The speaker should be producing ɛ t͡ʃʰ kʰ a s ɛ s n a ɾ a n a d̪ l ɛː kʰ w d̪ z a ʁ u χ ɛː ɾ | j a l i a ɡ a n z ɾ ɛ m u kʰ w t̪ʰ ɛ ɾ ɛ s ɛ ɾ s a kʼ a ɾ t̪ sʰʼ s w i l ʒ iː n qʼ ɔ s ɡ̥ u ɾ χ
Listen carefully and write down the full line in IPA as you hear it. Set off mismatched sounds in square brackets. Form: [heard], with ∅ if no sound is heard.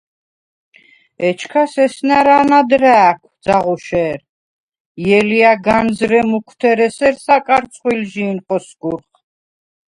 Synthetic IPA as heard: ɛ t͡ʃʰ kʰ a s ɛ s n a ɾ a n a d̪ [ɾ] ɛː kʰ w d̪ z a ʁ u [ʃ] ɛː ɾ | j [ɛ] l i a ɡ a n z ɾ ɛ m u kʰ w t̪ʰ ɛ ɾ ɛ s ɛ ɾ s a kʼ a ɾ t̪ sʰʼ [χ] w i l ʒ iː n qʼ ɔ s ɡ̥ u ɾ χ